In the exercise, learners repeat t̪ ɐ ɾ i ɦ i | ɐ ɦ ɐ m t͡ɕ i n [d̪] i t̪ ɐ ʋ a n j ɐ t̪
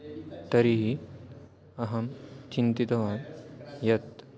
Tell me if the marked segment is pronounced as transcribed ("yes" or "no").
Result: no